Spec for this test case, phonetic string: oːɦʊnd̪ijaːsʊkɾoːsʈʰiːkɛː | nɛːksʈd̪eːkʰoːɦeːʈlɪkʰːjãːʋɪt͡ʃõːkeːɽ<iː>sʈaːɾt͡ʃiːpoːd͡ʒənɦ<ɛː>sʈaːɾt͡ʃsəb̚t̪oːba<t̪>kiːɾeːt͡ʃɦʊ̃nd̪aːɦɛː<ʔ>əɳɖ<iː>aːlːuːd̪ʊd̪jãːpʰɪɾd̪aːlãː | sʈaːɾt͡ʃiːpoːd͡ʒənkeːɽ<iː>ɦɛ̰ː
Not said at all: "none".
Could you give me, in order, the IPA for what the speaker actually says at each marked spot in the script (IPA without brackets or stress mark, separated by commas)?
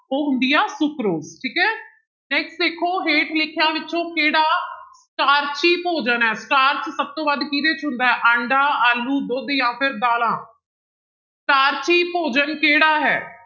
aː, ɛː, d̪, ʔ, aː, aː